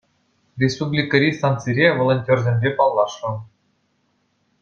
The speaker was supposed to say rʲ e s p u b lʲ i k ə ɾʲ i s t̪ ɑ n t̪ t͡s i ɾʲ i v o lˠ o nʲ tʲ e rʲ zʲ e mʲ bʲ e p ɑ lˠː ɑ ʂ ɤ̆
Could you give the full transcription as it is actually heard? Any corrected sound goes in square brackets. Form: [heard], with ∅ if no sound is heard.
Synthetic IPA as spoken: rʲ e s p u b lʲ i k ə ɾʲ i s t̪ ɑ n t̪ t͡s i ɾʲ [e] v o lˠ o nʲ tʲ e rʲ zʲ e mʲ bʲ e p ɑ lˠː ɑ ʂ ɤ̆

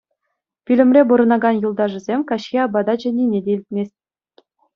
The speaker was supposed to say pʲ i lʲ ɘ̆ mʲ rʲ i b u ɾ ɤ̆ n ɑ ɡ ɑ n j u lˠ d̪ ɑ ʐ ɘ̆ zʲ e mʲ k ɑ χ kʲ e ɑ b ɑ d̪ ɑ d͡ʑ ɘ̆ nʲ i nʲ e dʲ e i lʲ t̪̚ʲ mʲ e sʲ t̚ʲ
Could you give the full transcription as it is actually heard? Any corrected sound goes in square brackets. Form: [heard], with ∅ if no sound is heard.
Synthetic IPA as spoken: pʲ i lʲ ɘ̆ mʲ rʲ [e] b u ɾ ɤ̆ n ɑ ɡ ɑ n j u lˠ d̪ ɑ ʐ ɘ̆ zʲ e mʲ k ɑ [ɕ] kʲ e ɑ b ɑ d̪ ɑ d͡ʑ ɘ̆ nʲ i nʲ e dʲ e i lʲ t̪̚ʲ mʲ e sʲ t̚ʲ

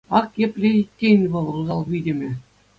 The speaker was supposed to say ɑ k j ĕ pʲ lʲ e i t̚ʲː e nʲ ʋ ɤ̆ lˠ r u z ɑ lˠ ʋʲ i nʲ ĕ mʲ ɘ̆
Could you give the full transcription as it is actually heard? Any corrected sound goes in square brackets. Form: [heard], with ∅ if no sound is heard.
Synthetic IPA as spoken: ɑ k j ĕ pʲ lʲ e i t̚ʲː e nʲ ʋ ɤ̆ lˠ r u z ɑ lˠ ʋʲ i [dʲ] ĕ mʲ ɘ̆

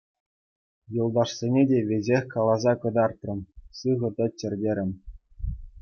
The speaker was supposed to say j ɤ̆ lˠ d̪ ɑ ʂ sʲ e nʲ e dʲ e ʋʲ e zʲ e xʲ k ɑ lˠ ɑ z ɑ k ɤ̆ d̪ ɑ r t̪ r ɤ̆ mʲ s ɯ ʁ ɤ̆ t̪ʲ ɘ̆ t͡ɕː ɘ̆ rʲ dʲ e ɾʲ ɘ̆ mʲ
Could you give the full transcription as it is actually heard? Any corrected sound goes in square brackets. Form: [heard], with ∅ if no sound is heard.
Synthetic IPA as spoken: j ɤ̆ lˠ d̪ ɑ ʂ sʲ e nʲ e dʲ e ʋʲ e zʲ e xʲ k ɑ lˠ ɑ z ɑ k ɤ̆ d̪ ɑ r t̪ r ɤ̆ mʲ s ɯ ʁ ɤ̆ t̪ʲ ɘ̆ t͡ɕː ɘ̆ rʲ dʲ e ɾʲ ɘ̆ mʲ

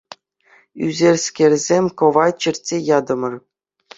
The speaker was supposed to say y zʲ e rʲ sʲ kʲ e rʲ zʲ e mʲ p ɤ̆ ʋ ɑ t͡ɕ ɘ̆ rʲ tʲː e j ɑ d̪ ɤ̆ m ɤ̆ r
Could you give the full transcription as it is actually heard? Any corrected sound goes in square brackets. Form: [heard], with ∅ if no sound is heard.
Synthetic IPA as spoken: y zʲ e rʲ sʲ kʲ e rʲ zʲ e mʲ [k] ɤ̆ ʋ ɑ t͡ɕ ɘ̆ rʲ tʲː e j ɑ d̪ ɤ̆ m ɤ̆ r

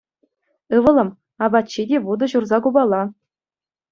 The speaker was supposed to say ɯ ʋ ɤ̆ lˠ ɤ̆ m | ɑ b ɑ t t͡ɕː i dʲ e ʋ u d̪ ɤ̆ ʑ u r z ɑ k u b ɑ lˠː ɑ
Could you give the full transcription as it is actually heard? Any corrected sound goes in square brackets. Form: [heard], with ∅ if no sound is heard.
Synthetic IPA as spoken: ɯ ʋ ɤ̆ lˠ ɤ̆ m | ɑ b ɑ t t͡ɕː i dʲ e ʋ u d̪ ɤ̆ ʑ u r z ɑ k u b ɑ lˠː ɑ

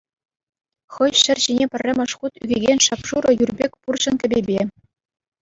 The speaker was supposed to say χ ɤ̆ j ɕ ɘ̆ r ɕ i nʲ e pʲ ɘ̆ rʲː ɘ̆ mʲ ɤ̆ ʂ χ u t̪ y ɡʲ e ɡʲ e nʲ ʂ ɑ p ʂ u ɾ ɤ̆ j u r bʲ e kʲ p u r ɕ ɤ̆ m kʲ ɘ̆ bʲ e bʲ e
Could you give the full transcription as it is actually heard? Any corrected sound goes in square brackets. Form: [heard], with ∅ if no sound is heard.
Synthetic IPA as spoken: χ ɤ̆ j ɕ ɘ̆ r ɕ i nʲ e pʲ ɘ̆ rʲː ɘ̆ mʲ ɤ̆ ʂ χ u t̪ y ɡʲ e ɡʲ e nʲ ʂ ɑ p ʂ u ɾ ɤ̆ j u r bʲ e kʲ p u r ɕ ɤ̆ [n] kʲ ɘ̆ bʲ e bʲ e

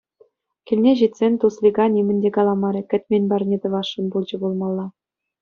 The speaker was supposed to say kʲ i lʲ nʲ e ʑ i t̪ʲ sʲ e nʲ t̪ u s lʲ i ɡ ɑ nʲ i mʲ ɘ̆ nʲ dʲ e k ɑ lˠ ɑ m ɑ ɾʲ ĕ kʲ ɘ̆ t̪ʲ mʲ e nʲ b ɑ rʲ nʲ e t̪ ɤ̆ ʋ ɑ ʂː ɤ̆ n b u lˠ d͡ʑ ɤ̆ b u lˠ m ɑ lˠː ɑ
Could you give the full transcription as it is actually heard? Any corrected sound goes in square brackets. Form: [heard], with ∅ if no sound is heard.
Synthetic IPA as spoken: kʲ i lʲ nʲ e ʑ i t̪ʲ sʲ e nʲ t̪ u s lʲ i ɡ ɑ nʲ i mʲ ɘ̆ nʲ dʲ e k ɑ lˠ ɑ m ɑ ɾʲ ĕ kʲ ɘ̆ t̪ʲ mʲ e nʲ b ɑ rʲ nʲ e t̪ ɤ̆ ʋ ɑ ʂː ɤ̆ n b u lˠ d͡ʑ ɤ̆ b u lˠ m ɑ lˠː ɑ

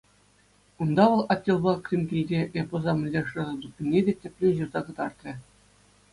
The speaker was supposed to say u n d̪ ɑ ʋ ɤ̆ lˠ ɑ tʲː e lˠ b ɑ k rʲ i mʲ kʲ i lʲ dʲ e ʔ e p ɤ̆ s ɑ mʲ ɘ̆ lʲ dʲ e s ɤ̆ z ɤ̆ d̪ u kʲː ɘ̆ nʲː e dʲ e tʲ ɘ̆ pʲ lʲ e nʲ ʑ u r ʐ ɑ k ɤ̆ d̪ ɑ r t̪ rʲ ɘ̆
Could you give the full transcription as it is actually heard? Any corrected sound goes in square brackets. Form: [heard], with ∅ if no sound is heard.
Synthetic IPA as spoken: u n d̪ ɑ ʋ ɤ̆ lˠ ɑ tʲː e lˠ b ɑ k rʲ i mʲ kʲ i lʲ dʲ e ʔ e p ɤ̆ [z] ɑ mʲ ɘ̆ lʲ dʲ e [ʂ] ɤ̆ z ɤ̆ d̪ u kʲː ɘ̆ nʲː e dʲ e tʲ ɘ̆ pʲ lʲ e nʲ ʑ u r [z] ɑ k ɤ̆ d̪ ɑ r t̪ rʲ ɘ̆

